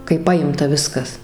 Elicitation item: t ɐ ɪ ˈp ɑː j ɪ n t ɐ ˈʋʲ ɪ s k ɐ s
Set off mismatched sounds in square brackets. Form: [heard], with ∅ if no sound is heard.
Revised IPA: [k] ɐ ɪ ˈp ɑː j ɪ [m] t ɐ ˈʋʲ ɪ s k ɐ s